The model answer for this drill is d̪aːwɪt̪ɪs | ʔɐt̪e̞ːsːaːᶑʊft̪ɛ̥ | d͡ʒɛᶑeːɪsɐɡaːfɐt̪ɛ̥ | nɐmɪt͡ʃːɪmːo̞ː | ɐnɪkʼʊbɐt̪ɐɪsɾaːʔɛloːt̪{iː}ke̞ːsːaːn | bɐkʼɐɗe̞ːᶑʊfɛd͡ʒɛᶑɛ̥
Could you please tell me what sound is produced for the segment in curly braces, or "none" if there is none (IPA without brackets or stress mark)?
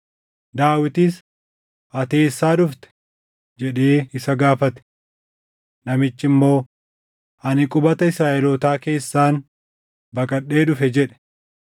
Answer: aː